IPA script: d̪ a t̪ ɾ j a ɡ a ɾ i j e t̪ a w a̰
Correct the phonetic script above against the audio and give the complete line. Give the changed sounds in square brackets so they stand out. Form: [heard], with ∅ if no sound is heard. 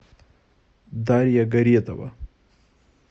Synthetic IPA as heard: d̪ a [∅] ɾ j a ɡ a ɾ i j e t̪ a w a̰